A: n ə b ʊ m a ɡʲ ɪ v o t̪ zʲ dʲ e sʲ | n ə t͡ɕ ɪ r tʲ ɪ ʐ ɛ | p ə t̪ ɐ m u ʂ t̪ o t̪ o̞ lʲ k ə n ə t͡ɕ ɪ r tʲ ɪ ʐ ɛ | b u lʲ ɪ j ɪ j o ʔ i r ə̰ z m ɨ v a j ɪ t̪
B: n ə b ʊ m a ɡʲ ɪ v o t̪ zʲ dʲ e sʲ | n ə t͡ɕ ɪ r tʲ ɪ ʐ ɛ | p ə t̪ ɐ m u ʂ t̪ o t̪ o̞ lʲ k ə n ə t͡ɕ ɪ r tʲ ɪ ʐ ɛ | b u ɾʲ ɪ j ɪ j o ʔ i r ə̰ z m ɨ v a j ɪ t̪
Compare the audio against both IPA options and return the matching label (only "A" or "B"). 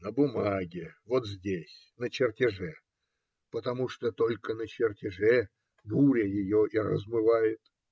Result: B